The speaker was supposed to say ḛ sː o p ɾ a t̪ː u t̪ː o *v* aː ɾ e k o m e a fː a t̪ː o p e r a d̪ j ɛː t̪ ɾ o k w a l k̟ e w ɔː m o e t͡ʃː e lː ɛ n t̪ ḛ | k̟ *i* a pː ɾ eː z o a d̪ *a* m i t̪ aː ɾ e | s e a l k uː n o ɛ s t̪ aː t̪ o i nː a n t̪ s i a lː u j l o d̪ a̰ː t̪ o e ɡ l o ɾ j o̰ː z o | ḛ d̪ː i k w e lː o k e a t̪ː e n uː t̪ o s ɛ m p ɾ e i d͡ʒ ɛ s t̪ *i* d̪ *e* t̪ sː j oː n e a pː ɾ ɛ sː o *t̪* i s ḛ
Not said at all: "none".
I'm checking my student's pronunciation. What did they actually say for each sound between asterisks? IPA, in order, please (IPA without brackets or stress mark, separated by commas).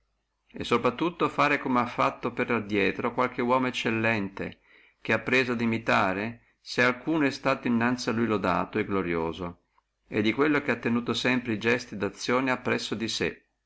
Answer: f, e, i, i, a, d̪